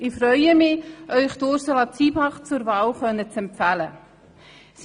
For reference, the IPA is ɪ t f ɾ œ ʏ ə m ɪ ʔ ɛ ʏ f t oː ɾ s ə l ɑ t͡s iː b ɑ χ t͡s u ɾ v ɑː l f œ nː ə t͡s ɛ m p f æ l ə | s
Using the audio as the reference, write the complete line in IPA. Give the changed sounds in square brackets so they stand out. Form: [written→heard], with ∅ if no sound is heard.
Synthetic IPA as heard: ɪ [t→∅] f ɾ œ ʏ ə m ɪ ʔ [ɛ→œ] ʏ [f→χ] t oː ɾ s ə l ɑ t͡s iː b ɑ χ t͡s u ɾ v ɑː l [f→χ] œ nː ə t͡s ɛ m p f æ l ə | s